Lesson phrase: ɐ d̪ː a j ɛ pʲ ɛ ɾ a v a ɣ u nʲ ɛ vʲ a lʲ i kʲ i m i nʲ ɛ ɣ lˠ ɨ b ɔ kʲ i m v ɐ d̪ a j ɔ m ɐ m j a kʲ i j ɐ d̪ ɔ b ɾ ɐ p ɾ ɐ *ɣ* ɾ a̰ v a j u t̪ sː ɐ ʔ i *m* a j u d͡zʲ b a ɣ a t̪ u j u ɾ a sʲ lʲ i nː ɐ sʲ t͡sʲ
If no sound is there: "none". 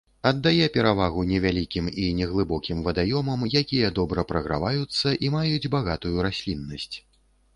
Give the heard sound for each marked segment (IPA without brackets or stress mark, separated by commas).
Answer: ɣ, m